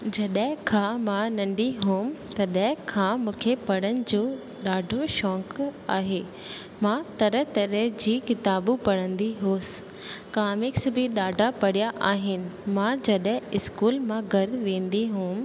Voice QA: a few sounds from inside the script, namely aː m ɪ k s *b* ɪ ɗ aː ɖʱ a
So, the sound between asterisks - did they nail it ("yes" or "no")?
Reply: yes